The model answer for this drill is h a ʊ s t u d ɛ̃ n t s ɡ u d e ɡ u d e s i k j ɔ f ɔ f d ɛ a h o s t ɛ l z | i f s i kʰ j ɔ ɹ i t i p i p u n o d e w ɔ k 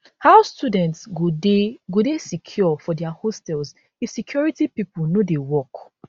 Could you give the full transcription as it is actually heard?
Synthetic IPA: h a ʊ s t u d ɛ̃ n t s ɡ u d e ɡ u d e s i kʰ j ɔ f ɔ d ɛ a h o s t ɛ l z | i f s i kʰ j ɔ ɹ i t i p i p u n o d e w ɔ k